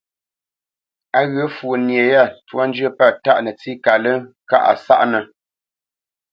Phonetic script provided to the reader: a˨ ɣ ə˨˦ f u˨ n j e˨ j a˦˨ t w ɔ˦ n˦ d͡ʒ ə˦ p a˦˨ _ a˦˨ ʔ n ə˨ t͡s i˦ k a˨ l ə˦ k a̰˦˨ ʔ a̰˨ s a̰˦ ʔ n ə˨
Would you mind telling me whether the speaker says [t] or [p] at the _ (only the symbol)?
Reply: t